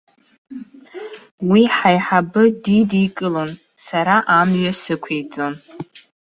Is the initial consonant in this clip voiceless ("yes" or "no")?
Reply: no